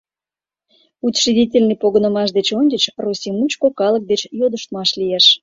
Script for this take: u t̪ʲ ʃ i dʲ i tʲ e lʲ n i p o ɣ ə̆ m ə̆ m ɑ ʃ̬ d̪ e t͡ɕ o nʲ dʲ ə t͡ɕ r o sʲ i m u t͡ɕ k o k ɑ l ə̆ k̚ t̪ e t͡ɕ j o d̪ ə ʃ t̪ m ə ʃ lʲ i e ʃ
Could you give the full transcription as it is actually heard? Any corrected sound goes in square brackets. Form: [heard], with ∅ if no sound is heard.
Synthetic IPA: u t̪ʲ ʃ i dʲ i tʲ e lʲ n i p o ɣ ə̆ [n] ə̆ m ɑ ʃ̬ d̪ e t͡ɕ o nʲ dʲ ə t͡ɕ r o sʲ i m u t͡ɕ k o k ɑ l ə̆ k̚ [d̪] e t͡ɕ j o d̪ ə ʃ t̪ m [ɑ] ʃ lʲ i e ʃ